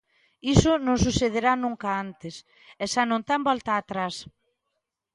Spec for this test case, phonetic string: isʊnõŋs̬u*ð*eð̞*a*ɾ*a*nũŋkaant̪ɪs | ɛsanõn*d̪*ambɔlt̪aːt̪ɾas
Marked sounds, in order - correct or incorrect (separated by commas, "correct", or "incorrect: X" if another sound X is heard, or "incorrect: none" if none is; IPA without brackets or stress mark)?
incorrect: θ, incorrect: e, correct, incorrect: t̪